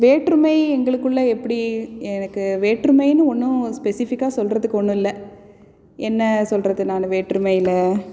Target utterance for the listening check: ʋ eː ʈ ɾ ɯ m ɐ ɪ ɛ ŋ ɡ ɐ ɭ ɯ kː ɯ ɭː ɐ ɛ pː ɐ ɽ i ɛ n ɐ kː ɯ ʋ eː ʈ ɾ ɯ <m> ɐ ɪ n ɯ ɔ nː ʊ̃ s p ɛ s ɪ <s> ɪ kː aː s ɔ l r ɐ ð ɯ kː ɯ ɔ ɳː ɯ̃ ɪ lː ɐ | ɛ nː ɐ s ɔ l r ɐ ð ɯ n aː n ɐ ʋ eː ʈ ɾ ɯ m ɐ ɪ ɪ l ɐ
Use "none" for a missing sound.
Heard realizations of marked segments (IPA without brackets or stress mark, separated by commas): m, f